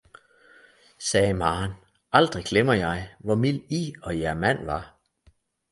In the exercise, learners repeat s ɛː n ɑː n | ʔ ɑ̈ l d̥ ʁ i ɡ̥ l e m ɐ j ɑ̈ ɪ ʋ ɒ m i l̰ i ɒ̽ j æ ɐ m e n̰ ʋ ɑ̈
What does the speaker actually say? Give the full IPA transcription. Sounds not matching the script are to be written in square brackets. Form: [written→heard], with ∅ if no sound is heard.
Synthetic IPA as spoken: s ɛː [n→m] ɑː n | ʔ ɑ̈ l d̥ ʁ i ɡ̥ l e m ɐ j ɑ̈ ɪ ʋ ɒ m i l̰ i ɒ̽ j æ ɐ m [e→æ] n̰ ʋ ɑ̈